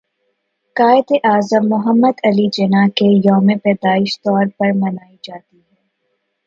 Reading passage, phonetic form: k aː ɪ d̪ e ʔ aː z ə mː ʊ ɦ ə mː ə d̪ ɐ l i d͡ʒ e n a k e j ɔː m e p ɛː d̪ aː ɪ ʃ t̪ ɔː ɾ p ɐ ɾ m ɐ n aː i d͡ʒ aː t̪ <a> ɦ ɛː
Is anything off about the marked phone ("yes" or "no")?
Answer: yes